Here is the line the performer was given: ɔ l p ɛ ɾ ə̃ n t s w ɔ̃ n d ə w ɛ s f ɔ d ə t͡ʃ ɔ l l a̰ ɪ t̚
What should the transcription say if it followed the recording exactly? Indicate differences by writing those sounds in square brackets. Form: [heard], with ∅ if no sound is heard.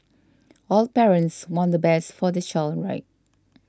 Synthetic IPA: ɔ l p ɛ [ɹ] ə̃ n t s w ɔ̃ n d ə [b] ɛ s f ɔ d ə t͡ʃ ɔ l [ɹ] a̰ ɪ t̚